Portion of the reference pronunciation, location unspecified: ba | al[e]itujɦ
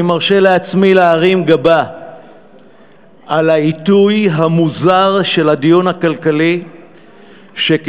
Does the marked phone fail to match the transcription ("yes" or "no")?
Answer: yes